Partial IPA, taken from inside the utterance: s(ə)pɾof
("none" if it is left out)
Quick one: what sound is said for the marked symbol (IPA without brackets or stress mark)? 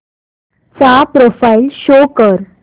a